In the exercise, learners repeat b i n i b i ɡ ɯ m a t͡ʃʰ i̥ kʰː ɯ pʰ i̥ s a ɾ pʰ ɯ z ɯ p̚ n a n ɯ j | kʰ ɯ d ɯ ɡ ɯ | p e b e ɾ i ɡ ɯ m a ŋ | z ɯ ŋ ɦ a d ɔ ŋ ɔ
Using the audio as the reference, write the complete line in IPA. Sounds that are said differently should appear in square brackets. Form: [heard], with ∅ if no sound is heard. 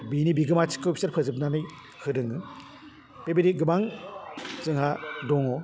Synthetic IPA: b i n i b i ɡ ɯ m a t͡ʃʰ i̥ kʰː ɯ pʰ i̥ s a ɾ pʰ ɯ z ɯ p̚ n a n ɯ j | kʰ ɯ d ɯ [ŋ] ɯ | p e b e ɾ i ɡ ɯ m a ŋ | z ɯ ŋ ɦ a d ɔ ŋ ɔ